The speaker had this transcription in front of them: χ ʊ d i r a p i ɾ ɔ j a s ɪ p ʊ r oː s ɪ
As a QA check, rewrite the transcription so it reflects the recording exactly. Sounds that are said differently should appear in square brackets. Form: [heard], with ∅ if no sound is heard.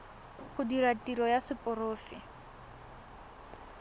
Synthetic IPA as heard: χ ʊ d i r a [t] i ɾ ɔ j a s ɪ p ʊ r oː [f] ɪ